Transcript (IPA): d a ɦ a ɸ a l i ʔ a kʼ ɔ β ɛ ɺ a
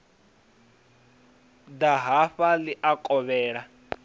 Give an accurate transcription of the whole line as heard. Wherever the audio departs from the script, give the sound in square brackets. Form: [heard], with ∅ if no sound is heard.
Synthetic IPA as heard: d a ɦ a ɸ a l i ʔ a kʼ ɔ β [ɛː] ɺ a